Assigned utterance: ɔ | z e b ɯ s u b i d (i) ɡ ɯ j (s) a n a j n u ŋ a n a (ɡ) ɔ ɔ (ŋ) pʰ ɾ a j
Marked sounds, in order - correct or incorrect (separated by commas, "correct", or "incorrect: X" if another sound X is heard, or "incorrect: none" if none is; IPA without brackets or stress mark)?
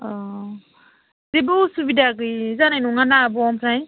incorrect: a, incorrect: z, incorrect: b, incorrect: m